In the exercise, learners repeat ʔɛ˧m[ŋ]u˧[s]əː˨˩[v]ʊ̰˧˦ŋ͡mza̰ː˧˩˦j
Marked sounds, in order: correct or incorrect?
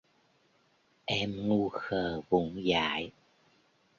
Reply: correct, incorrect: x, correct

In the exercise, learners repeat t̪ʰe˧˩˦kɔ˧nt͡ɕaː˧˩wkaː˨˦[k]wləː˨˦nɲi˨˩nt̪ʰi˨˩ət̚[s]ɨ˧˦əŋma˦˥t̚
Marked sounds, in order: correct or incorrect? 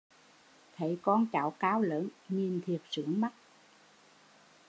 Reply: incorrect: none, correct

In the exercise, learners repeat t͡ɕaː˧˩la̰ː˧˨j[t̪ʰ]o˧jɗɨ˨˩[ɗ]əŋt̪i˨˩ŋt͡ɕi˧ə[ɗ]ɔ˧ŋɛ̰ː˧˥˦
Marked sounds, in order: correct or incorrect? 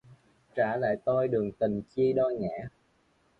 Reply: incorrect: t̪, incorrect: none, correct

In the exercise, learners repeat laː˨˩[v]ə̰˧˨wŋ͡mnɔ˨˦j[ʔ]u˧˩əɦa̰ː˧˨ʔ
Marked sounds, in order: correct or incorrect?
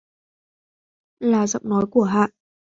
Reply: incorrect: z, incorrect: k

